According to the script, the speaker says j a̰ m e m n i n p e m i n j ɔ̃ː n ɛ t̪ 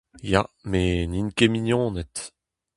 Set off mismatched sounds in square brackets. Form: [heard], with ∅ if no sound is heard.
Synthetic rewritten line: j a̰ m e [∅] n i n [k] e m i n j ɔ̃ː n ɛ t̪

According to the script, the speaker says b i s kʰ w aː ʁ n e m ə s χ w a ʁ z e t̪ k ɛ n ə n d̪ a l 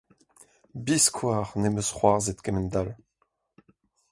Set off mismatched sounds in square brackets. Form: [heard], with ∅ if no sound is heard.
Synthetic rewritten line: b i s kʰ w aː ʁ n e m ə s χ w a ʁ z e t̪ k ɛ [m] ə n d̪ a l

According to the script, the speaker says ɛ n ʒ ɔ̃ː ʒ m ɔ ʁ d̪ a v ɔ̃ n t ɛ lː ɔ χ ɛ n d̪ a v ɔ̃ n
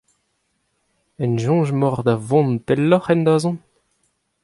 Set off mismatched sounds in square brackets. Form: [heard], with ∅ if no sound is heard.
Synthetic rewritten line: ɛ n ʒ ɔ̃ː ʒ m ɔ ʁ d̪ a v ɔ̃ n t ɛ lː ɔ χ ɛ n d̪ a [z] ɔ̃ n

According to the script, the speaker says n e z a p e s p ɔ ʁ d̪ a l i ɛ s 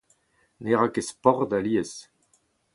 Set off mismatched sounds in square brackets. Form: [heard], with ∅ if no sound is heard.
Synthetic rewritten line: n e [ʁ] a [k] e s p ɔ ʁ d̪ a l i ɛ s

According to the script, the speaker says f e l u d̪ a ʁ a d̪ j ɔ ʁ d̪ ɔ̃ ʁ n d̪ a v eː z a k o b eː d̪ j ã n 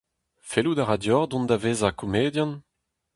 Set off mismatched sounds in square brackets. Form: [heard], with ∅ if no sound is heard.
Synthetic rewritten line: f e l u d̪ a ʁ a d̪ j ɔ ʁ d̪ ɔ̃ [∅] n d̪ a v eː z a k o [m] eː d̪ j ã n

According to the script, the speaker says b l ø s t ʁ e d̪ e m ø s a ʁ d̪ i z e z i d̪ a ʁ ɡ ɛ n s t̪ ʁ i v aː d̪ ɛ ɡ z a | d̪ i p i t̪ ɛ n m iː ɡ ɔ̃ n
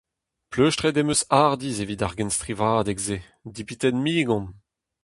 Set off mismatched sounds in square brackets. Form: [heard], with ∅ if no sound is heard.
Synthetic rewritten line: [p] l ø [ʃ] t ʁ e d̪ e m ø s a ʁ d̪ i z e [v] i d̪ a ʁ ɡ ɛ n s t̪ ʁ i v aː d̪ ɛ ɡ z [e] | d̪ i p i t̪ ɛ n m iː ɡ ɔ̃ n

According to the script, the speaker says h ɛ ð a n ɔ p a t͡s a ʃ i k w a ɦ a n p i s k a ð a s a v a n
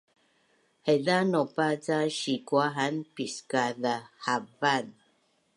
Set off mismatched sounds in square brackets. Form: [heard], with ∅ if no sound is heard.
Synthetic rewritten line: h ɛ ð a n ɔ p a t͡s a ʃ i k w a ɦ a n p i s k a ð a [h] a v a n

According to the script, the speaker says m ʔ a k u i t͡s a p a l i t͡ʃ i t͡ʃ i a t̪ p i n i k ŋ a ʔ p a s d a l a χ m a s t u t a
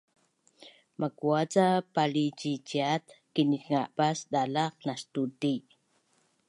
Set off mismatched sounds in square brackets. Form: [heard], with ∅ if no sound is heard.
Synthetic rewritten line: m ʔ a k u [a] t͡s a p a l i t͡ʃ i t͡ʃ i a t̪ [k] i n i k ŋ a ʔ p a s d a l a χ [n] a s t u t [i]

